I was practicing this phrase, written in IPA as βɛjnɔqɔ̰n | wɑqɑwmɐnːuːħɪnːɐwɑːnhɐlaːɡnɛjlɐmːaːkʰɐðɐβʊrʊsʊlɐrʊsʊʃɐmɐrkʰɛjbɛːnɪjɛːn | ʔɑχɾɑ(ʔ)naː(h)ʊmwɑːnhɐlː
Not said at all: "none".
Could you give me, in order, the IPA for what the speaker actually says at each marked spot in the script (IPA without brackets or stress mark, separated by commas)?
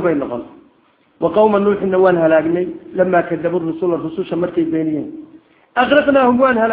q, h